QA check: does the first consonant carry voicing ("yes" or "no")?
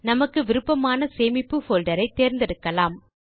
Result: yes